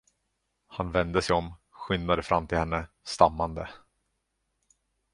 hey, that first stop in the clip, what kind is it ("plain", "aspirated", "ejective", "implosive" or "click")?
plain